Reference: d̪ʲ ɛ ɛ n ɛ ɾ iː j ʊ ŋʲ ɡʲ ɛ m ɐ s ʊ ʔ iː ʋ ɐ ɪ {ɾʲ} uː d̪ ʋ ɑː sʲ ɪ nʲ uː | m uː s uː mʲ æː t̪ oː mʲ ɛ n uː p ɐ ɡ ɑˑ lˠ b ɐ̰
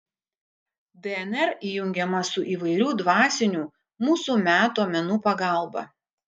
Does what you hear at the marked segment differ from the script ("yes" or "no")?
no